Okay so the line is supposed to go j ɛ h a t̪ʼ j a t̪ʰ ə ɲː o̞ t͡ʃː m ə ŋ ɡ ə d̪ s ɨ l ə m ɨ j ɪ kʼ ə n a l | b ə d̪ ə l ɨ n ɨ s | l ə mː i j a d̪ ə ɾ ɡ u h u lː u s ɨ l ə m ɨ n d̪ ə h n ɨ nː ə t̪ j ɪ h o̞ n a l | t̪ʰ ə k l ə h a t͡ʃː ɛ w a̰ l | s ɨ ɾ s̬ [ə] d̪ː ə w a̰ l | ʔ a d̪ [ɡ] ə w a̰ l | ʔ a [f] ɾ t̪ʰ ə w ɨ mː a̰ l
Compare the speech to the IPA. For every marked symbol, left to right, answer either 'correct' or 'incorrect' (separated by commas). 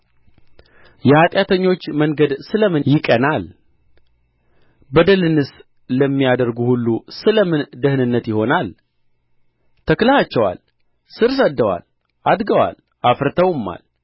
correct, correct, correct